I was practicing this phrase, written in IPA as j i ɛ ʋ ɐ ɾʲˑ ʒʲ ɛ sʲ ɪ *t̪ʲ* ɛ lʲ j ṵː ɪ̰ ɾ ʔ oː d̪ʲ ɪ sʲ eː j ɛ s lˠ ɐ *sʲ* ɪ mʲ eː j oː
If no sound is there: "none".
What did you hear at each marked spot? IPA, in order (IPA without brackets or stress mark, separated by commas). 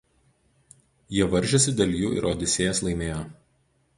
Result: d̪ʲ, none